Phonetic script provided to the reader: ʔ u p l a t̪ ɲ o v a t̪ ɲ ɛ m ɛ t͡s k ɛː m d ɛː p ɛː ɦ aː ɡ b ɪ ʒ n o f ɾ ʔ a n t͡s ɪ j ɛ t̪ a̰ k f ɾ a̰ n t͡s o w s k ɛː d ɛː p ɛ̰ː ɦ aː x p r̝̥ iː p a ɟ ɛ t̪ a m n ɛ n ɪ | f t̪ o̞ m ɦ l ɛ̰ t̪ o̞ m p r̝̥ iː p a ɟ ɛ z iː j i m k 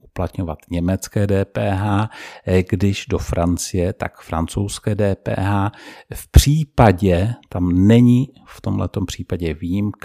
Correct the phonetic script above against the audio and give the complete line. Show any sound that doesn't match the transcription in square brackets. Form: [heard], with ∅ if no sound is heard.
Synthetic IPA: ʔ u p l a t̪ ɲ o v a t̪ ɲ ɛ m ɛ t͡s k ɛː [∅] d ɛː p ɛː ɦ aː ɡ [d] ɪ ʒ [d] o f ɾ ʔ a n t͡s ɪ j ɛ t̪ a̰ k f ɾ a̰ n t͡s o w s k ɛː d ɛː p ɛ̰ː ɦ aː [f] p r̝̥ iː p a ɟ ɛ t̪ a m n ɛ [ɲ] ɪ | f t̪ o̞ m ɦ l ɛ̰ t̪ o̞ m p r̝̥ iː p a ɟ ɛ [v] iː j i m k